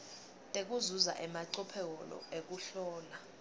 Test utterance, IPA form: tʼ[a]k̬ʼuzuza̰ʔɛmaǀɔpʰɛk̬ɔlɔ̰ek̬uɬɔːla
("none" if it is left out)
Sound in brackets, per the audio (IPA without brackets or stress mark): e